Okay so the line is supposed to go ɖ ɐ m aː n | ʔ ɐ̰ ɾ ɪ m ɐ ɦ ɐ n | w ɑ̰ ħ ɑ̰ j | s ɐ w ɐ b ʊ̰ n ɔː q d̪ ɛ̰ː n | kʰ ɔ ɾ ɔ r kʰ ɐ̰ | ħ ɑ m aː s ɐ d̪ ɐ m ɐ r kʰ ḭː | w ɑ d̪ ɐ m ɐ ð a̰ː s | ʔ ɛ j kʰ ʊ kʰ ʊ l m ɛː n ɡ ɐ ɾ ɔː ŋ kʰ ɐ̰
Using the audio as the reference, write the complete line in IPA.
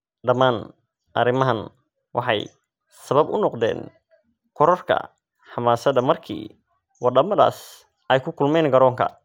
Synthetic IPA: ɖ ɐ m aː n | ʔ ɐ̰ ɾ ɪ m ɐ ɦ ɐ n | w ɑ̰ ħ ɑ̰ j | s ɐ β ɐ b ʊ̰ n ɔ q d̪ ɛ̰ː n | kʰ ɔ ɾ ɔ r kʰ ɐ̰ | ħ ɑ m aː s ɐ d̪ ɐ m ɐ r kʰ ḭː | w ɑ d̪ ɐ m ɐ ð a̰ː s | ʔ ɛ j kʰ ʊ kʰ ʊ l m ɛː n ɡ ɐ ɾ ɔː ŋ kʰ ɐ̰